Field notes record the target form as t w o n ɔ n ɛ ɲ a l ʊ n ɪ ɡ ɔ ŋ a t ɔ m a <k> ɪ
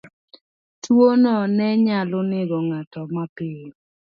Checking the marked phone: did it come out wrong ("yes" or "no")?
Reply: yes